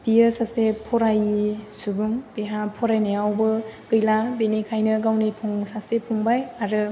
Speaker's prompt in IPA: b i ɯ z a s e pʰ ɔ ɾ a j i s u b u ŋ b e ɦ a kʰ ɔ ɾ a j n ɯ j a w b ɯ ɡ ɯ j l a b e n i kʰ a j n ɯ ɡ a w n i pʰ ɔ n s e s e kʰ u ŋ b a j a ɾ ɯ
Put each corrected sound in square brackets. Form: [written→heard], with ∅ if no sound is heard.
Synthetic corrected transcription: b i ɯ [z→s] a s e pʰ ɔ ɾ a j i s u b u ŋ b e ɦ a [kʰ→pʰ] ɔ ɾ a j n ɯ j a w b ɯ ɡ ɯ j l a b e n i kʰ a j n ɯ ɡ a w n i pʰ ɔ [n→ŋ] s [e→a] s e [kʰ→pʰ] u ŋ b a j a ɾ ɯ